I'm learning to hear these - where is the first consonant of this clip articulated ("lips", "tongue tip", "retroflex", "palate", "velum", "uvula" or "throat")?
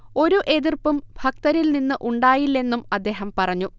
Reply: tongue tip